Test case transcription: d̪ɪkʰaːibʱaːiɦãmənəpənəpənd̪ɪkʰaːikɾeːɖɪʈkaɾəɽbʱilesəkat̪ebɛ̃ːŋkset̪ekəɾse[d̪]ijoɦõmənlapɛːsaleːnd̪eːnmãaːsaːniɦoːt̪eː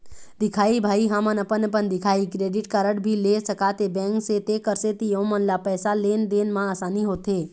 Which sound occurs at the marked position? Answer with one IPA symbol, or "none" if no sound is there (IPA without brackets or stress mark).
t̪